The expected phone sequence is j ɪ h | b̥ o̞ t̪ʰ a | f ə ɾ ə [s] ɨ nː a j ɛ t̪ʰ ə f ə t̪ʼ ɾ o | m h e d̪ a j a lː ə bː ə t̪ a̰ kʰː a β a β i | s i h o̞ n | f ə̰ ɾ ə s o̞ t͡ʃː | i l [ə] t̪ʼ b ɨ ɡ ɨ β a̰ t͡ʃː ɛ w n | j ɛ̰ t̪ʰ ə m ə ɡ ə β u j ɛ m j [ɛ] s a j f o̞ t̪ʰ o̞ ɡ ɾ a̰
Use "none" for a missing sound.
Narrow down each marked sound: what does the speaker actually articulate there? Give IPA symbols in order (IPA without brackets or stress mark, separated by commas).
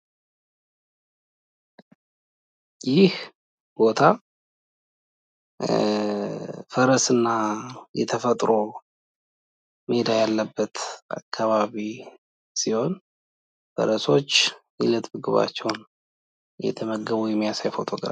s, ə, a